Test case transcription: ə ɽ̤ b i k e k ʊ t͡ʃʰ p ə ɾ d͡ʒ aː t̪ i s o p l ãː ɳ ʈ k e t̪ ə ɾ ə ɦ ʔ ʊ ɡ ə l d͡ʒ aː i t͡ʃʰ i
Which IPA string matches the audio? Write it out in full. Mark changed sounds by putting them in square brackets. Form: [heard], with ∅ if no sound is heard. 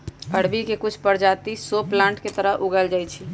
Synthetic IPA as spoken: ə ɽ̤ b i k e k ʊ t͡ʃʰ p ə ɾ d͡ʒ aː t̪ i s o p l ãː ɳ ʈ k e t̪ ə ɾ ə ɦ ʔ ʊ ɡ ə l d͡ʒ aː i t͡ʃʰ i